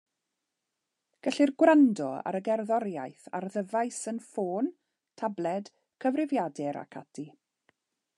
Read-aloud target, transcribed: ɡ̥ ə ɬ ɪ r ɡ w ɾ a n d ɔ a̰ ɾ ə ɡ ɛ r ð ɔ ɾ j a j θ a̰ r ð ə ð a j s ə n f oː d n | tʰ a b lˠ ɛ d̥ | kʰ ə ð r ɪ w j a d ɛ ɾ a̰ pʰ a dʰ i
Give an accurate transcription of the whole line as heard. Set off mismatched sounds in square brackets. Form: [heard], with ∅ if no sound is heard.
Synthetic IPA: ɡ̥ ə ɬ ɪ r ɡ w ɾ a n d ɔ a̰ ɾ ə ɡ ɛ r ð ɔ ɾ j a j θ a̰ r ð ə [v] a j s ə n f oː [∅] n | tʰ a b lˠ ɛ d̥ | kʰ ə [v] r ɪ [v] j a d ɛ ɾ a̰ [kʰ] a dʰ i